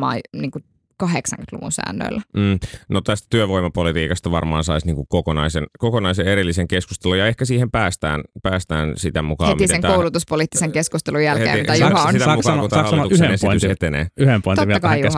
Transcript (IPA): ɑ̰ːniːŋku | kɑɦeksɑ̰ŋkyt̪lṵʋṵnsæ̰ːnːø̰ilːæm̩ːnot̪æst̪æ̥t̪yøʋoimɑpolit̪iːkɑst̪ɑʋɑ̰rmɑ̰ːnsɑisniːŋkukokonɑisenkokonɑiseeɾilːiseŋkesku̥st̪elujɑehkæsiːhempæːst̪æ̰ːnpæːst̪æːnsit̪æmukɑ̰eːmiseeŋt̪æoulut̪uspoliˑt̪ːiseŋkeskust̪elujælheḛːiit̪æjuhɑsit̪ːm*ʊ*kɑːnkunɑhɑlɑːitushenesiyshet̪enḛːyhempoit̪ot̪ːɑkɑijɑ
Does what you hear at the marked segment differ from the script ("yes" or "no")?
yes